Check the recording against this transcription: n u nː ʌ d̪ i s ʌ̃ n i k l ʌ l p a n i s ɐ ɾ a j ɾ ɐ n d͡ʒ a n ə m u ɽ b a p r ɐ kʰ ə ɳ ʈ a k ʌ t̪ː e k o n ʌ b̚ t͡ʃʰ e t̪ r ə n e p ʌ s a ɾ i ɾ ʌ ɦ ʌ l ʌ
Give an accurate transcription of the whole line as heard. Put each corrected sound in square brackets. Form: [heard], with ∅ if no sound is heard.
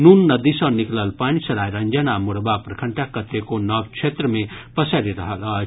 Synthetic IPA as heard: n u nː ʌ d̪ i s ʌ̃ n i k l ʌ l p a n i s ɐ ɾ a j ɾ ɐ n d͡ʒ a n [a] m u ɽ b a p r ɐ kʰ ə ɳ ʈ a k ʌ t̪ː e k o n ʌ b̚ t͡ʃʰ e t̪ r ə [m] e p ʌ s a ɾ i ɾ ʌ ɦ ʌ l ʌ